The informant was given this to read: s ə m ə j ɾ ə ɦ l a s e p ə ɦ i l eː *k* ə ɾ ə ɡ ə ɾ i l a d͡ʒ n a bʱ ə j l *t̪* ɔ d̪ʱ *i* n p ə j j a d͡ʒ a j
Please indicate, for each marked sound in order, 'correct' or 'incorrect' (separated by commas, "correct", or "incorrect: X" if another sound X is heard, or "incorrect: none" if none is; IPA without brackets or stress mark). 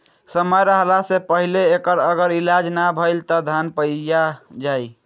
correct, correct, incorrect: a